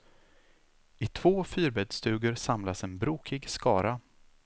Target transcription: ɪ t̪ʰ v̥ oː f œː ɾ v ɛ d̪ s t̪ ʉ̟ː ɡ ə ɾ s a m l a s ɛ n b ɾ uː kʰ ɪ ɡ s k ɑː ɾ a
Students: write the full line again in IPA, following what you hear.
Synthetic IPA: ɪ t̪ʰ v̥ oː f yː ɾ b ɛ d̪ s t̪ ʉ̟ː ɡ ə ɾ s a m l a s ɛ n b ɾ uː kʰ ɪ ɡ s k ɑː ɾ a